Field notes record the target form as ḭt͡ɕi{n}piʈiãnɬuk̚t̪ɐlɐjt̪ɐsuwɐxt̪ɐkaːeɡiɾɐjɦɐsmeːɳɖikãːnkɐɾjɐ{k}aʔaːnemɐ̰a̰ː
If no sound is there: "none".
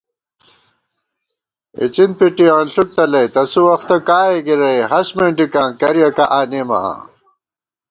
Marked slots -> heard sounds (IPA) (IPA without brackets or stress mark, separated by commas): n, k